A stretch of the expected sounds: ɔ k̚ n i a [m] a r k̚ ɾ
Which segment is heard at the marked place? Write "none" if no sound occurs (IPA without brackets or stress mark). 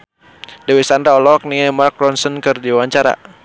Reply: m